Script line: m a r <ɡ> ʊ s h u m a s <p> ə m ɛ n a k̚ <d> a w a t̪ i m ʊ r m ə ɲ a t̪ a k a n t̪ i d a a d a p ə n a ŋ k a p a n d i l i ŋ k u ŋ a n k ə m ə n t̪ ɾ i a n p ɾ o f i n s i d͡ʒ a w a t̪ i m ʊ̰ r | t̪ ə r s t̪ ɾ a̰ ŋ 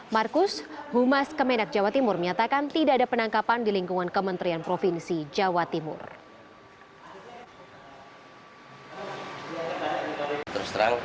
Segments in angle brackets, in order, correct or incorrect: incorrect: k, incorrect: k, incorrect: d͡ʒ

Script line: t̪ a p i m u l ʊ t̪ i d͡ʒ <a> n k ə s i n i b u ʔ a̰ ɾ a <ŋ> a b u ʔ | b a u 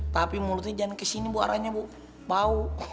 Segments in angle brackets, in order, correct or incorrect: correct, incorrect: ɲ

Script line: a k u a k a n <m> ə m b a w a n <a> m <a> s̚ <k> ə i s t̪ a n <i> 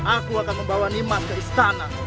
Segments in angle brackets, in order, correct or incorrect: correct, incorrect: i, correct, correct, incorrect: a

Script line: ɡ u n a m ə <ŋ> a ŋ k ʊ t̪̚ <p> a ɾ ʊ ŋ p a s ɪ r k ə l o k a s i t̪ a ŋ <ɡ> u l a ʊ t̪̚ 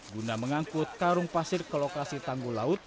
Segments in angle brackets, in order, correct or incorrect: correct, incorrect: k, correct

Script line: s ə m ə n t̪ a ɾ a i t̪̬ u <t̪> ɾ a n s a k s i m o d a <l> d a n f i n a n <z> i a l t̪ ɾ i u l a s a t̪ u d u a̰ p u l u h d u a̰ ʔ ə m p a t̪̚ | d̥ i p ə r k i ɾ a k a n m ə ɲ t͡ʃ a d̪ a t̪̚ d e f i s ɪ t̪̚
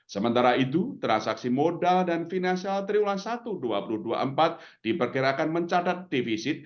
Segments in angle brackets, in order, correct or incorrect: correct, correct, incorrect: s

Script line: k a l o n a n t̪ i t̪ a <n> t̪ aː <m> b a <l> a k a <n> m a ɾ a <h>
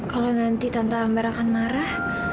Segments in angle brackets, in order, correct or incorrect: correct, correct, incorrect: ɾ, correct, correct

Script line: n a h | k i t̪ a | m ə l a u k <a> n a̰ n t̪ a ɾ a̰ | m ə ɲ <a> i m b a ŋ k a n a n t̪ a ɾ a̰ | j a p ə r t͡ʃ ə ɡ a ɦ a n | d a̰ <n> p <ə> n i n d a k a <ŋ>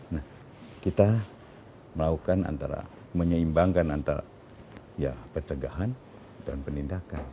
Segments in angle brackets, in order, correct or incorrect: correct, incorrect: ə, correct, correct, incorrect: n

